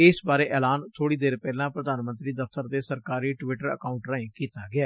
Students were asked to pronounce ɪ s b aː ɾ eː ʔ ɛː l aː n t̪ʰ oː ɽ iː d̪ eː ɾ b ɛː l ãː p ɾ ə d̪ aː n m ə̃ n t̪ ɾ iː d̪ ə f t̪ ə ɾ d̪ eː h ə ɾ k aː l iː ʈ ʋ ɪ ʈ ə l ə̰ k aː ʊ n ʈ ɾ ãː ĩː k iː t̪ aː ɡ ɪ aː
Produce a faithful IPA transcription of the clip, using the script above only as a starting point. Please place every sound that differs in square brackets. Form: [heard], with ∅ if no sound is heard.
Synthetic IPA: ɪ s b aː ɾ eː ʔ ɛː l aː n t̪ʰ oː ɽ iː d̪ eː ɾ [p] ɛː l ãː p ɾ ə d̪ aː n m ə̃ n t̪ ɾ iː d̪ ə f t̪ ə ɾ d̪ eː [s] ə ɾ k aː [ɾ] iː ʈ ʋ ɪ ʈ ə [ɾ] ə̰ k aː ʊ [ɳ] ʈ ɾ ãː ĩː k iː t̪ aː ɡ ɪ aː